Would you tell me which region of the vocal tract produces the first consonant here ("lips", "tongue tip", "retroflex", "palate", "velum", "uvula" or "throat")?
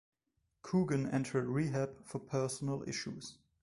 velum